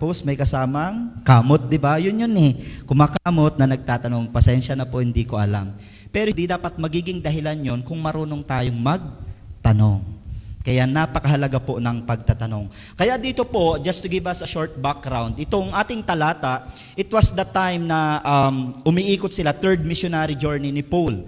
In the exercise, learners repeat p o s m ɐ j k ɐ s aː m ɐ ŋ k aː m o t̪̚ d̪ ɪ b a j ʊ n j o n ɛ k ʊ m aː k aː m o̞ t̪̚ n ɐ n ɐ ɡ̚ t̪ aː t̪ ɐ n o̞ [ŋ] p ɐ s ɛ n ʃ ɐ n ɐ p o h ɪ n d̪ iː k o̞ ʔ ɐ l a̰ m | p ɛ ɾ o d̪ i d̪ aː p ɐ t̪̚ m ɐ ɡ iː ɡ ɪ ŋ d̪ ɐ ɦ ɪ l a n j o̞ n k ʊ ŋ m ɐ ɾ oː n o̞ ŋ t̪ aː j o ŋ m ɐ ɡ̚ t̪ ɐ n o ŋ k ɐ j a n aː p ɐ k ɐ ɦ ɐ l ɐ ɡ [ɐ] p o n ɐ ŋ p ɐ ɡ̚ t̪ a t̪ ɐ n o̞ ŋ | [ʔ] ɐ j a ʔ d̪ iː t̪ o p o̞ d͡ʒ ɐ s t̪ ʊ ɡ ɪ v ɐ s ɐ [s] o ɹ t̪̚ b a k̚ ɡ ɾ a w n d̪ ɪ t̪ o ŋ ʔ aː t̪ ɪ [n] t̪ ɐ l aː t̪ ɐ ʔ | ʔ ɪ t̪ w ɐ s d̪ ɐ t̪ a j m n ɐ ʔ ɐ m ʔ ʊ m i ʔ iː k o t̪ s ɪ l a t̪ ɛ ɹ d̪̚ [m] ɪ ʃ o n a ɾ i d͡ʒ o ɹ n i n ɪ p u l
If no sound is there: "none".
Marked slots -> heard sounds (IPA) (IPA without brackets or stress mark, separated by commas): ŋ, a, k, ʃ, ŋ, m